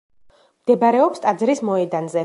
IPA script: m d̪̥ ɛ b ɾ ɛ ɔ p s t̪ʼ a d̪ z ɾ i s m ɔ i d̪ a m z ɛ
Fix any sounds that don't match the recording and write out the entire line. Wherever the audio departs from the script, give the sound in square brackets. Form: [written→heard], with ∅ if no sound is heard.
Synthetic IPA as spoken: m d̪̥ ɛ b ɾ ɛ ɔ p s t̪ʼ a d̪ z ɾ i s m ɔ [i→ɛ] d̪ a [m→n] z ɛ